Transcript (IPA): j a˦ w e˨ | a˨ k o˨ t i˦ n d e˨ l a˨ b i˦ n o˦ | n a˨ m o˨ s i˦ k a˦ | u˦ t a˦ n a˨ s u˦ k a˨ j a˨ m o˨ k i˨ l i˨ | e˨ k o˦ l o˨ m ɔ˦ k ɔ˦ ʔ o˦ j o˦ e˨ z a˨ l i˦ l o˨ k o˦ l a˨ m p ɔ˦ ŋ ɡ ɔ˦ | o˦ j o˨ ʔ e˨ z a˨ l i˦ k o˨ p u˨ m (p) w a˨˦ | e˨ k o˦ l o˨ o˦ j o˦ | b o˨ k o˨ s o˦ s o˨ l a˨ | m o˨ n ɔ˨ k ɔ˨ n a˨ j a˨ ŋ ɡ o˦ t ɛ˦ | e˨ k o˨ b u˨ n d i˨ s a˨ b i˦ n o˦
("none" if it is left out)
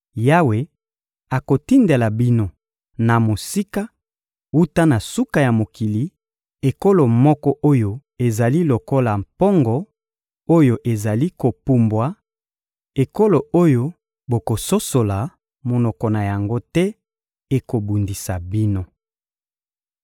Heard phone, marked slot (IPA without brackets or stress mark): b